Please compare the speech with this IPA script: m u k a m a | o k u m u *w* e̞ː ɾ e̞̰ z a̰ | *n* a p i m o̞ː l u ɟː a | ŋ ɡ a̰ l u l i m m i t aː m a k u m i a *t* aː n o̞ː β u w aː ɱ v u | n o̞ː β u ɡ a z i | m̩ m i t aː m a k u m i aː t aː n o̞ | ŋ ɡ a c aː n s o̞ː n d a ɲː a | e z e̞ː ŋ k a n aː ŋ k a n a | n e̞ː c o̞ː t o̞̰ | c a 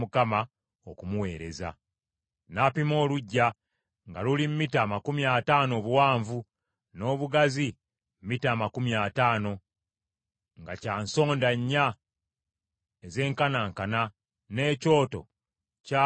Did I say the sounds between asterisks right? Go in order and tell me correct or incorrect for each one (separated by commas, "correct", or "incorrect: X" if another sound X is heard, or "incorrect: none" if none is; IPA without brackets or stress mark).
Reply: correct, correct, correct